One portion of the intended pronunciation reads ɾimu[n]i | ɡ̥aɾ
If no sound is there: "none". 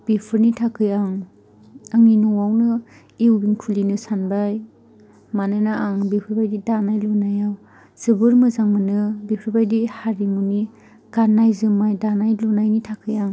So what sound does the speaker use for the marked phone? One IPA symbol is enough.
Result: n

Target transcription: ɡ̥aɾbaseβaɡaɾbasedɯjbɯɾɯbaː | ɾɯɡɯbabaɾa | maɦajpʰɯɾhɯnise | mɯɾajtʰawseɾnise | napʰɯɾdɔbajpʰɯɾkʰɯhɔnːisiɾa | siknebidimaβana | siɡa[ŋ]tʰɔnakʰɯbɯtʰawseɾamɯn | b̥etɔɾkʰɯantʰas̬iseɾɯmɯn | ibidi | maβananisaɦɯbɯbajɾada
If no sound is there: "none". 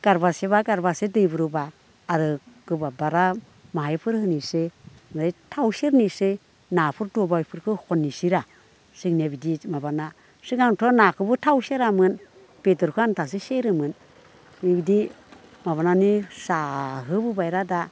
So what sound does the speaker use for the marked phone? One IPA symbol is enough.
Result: ŋ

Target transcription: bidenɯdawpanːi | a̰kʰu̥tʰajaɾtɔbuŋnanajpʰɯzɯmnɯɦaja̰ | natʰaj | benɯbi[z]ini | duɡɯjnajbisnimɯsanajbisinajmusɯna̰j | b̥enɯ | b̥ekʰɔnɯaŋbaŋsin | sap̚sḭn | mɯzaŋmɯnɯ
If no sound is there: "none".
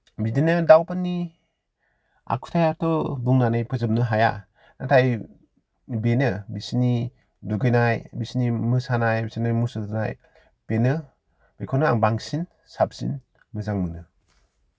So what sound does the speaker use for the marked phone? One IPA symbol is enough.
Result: s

